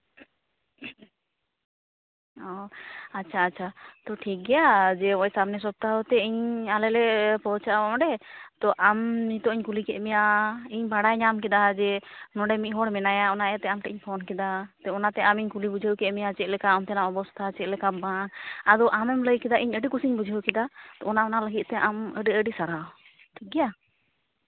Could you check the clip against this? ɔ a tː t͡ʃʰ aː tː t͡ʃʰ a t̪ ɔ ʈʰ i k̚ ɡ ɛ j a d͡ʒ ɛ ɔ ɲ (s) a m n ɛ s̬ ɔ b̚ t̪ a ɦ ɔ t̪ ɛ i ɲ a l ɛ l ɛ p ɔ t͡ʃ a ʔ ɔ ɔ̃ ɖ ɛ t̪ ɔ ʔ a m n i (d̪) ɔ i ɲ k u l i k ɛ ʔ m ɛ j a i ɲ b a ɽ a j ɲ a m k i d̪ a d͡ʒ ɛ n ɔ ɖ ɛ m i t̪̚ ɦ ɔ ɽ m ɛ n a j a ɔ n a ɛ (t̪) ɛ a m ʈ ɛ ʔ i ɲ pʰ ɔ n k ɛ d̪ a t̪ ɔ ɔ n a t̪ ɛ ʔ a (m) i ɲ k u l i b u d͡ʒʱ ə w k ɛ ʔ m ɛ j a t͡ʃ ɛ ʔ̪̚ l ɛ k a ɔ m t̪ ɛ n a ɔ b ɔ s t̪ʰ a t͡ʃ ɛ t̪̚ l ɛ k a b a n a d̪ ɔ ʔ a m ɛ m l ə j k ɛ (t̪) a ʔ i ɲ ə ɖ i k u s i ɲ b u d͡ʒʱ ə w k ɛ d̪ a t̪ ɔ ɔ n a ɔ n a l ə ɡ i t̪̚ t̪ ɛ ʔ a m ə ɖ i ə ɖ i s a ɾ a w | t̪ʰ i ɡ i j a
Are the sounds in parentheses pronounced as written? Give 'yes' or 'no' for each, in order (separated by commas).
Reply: yes, no, yes, yes, no